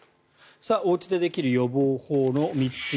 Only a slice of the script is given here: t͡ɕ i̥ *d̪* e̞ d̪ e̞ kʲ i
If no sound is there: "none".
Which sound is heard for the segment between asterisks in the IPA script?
d̪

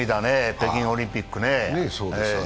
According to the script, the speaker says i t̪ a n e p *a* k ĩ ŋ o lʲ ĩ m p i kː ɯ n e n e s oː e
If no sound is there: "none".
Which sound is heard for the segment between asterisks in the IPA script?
e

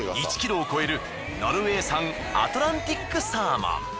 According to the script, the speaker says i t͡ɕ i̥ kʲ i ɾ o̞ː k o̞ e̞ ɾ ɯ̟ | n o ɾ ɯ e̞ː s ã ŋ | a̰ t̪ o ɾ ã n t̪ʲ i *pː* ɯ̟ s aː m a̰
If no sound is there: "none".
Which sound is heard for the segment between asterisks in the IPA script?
kː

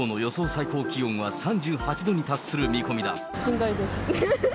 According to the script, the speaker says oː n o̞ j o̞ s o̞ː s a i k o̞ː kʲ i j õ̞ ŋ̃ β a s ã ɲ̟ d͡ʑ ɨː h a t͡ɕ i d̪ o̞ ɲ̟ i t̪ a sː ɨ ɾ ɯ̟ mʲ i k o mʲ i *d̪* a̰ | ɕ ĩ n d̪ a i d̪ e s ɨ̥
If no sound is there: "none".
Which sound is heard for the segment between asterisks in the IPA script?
d̪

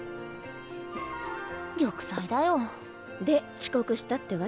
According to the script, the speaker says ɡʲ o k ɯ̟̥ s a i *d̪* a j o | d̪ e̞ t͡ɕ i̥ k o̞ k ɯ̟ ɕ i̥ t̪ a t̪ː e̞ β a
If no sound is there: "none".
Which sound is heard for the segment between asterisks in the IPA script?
d̪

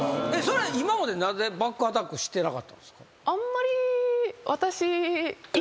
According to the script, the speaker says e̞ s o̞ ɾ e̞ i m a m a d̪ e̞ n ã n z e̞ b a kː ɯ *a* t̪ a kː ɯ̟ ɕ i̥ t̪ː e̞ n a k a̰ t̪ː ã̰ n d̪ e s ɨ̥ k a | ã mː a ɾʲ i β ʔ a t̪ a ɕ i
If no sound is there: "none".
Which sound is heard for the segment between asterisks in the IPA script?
a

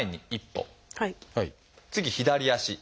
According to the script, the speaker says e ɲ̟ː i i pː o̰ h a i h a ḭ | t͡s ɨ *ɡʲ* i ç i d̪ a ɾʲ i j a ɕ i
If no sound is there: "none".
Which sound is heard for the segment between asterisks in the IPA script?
ɡʲ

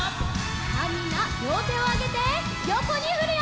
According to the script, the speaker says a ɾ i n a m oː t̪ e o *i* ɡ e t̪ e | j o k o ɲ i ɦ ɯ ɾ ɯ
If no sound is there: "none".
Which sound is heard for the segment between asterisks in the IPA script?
a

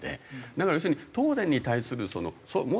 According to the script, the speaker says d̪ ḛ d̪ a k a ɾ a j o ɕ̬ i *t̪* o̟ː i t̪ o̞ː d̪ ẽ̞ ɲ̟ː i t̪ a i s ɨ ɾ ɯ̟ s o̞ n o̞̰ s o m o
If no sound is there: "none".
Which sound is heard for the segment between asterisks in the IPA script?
none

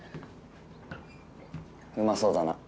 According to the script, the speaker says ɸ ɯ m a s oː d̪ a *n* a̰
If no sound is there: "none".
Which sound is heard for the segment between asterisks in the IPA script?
n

